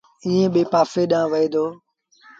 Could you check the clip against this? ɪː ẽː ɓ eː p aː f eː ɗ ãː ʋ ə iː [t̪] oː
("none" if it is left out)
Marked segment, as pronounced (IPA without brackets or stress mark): d̪